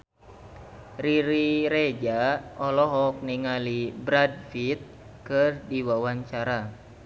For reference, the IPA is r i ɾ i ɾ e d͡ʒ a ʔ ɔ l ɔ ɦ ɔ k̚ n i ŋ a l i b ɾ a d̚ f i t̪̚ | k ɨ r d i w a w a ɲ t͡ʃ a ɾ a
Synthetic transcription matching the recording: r i ɾ i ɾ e d͡ʒ a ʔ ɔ l ɔ ɦ ɔ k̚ n i ŋ a l i b ɾ a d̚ f i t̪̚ | k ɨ r d i w a w a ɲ t͡ʃ a ɾ a